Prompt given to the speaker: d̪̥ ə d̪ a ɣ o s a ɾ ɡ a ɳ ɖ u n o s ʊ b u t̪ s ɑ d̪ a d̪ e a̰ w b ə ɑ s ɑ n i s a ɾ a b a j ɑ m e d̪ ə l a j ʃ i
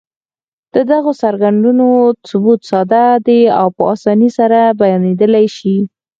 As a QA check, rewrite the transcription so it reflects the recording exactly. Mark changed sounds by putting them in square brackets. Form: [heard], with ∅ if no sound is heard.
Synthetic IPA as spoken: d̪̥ ə d̪ a ɣ o s a ɾ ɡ a ɳ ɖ u n o s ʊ b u t̪ s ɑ d̪ a d̪ e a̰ w [p] ə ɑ s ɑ n i s a ɾ a b a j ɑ [n] e d̪ ə l a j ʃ i